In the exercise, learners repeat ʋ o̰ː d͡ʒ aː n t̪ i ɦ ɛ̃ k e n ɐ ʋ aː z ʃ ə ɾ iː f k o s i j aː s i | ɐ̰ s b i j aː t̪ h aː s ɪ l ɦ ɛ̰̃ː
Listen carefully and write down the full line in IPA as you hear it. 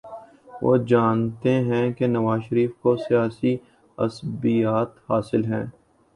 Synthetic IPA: ʋ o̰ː d͡ʒ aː n t̪ e ɦ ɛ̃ k e n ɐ ʋ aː z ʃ ə ɾ iː f k o s i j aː s i | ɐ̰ s b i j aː t̪ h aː s ɪ l ɦ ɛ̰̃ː